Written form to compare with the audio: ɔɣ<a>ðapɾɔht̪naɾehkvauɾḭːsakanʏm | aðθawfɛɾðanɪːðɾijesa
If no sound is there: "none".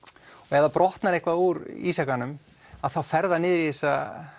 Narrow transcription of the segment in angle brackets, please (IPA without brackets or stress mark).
ɛ